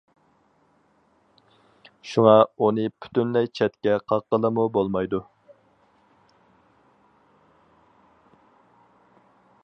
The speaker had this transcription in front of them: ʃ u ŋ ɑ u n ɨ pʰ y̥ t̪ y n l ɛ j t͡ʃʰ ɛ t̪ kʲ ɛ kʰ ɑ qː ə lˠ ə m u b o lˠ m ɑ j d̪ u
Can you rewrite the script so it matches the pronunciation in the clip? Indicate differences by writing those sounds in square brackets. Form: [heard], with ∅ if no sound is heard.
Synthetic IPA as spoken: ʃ u ŋ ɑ u n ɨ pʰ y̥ t̪ y n l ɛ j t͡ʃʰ ɛ t̪ kʲ ɛ [qʰ] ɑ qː ə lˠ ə m u b o lˠ m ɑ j d̪ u